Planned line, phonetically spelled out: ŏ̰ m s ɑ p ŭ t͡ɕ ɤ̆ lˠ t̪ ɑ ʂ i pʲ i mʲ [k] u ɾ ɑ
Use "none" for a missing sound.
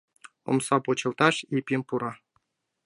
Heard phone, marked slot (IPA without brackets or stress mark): p